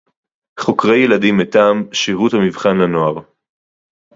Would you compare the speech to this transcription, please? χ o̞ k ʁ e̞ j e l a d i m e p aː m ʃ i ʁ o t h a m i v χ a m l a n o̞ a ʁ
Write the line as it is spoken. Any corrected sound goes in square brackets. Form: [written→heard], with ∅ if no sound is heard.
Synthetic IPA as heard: χ o̞ k ʁ e̞ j e l a d i m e [p→t] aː m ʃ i ʁ [o→u] t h a m i v χ a [m→n] l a n o̞ a ʁ